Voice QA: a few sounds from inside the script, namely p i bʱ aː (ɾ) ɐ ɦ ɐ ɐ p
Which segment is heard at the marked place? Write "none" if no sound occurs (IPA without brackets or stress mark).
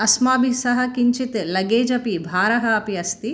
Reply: ɾ